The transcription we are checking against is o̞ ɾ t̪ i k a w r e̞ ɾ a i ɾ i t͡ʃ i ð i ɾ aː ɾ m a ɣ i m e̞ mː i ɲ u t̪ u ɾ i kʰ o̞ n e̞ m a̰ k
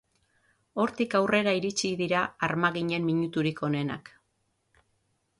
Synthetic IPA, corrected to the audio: o̞ ɾ t̪ i k a w r e̞ ɾ a i ɾ i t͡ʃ i ð i ɾ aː ɾ m a ɣ i ɲ e̞ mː i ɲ u t̪ u ɾ i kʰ o̞ n e̞ n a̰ k